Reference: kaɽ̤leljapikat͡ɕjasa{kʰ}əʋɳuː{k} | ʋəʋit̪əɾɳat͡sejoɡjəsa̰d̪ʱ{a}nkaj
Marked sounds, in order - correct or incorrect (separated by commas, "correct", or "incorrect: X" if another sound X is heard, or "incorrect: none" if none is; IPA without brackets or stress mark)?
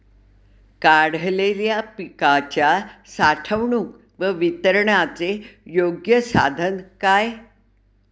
incorrect: ʈʰ, correct, incorrect: ə